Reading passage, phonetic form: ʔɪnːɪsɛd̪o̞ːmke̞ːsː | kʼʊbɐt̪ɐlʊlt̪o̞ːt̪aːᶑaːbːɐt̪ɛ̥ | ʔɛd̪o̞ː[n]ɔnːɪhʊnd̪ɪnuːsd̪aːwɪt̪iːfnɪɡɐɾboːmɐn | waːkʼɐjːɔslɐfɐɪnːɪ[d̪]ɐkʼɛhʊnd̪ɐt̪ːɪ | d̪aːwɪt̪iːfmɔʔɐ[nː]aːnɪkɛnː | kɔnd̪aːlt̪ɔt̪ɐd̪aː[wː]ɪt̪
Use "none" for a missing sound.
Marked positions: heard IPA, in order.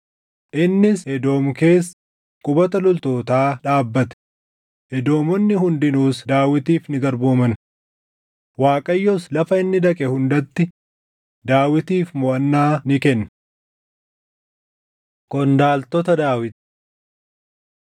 m, d̪, nː, w

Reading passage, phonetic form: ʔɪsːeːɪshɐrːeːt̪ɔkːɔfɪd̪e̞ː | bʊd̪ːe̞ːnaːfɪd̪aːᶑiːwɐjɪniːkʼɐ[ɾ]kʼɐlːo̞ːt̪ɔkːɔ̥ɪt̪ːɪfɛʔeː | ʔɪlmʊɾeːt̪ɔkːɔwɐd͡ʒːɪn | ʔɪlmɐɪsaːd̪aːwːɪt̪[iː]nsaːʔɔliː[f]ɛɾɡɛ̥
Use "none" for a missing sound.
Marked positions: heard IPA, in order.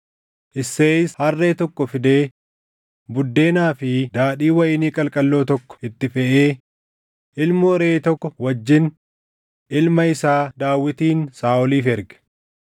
l, iː, f

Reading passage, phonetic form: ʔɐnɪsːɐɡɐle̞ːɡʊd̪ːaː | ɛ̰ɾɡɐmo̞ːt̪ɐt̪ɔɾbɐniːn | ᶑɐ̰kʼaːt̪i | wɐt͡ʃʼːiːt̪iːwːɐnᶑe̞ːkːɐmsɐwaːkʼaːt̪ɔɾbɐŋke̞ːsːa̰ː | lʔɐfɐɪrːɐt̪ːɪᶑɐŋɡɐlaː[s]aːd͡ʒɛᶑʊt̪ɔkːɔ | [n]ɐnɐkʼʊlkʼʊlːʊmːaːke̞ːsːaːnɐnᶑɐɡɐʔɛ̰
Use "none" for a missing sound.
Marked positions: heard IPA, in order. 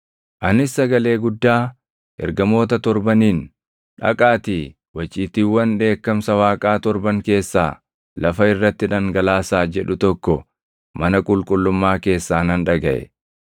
s, m

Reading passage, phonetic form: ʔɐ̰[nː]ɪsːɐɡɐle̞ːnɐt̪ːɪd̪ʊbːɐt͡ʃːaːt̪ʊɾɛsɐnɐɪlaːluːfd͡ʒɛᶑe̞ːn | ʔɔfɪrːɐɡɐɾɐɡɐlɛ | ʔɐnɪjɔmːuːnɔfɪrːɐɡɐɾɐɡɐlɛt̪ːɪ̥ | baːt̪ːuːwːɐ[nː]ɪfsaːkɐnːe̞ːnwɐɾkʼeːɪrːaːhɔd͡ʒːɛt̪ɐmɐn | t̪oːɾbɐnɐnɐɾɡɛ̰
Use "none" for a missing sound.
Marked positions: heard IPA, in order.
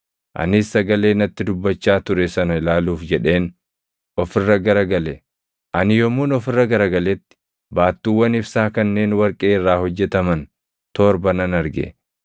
n, n

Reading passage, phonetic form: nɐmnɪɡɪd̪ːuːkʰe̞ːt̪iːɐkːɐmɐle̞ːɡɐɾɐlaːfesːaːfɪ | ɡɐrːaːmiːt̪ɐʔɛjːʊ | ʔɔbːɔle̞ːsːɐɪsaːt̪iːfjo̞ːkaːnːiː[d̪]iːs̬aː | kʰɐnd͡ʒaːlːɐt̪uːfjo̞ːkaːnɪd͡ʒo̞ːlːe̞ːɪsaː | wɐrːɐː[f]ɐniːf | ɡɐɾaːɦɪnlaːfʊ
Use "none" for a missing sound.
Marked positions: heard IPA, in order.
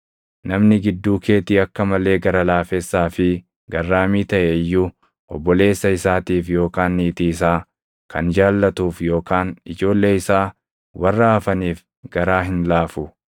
t̪, f

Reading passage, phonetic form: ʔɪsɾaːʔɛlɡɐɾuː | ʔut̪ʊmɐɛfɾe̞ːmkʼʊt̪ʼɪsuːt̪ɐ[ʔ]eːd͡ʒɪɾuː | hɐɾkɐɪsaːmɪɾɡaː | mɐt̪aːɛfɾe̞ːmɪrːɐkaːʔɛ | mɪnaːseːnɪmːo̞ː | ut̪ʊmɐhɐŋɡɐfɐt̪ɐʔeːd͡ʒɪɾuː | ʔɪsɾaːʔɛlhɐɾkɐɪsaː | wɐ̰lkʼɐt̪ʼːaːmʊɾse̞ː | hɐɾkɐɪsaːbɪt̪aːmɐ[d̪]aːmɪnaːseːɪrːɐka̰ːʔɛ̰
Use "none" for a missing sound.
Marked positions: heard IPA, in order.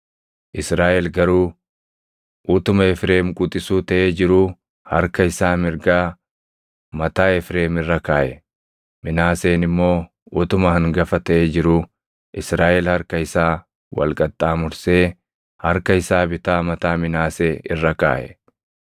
ʔ, t̪

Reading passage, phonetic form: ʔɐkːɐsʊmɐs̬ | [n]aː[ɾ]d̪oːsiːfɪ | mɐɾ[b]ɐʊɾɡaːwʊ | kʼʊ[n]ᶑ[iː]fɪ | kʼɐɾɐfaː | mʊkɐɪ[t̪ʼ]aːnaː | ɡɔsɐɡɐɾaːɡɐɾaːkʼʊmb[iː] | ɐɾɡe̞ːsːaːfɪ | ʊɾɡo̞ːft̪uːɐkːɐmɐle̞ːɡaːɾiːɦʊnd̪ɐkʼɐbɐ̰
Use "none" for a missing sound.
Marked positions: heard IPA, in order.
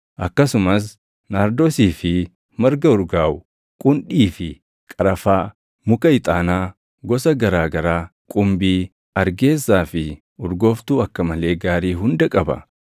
n, ɾ, ɡ, n, iː, t̪ʼ, iː

